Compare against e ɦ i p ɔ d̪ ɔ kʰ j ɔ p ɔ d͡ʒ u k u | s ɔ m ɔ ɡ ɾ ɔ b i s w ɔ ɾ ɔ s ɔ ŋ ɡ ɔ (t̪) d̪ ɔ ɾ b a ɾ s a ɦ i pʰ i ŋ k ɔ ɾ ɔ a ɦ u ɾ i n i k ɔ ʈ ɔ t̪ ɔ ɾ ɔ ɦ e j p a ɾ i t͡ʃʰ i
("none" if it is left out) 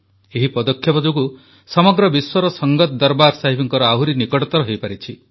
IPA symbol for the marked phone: t̪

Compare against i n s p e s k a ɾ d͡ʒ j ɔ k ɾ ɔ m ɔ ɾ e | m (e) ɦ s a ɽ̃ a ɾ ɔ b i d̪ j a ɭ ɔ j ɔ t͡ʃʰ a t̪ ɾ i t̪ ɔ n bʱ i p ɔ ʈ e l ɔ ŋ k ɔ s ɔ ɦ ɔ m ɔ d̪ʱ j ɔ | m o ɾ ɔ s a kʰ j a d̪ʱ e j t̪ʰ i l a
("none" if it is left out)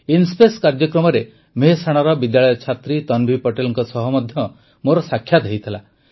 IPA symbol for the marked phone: e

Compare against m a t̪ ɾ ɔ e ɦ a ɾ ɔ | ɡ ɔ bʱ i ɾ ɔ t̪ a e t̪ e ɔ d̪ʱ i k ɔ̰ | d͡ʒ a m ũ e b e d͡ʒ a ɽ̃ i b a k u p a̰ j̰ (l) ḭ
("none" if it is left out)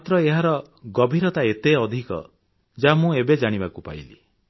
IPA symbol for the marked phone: l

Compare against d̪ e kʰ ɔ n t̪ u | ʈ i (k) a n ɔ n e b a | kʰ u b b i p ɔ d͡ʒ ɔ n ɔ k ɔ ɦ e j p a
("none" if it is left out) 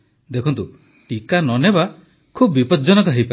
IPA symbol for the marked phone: k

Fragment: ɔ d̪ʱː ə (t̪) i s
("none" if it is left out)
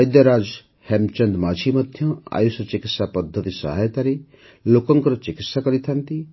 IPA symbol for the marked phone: t̪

